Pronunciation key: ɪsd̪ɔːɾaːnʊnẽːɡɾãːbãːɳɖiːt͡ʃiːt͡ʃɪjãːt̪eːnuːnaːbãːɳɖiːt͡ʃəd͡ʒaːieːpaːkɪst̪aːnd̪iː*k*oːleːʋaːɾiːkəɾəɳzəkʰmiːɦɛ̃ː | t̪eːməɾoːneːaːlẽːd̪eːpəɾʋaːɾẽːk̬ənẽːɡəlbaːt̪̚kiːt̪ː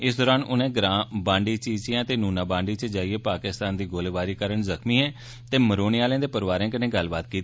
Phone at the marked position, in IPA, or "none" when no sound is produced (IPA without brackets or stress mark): ɡ